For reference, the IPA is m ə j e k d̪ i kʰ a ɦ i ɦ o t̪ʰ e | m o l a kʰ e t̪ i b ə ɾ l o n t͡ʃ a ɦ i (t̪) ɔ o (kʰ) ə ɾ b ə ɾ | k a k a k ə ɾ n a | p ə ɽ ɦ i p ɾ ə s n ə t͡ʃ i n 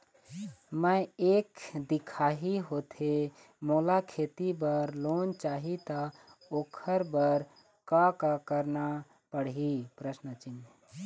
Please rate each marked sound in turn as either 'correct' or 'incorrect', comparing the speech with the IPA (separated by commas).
correct, correct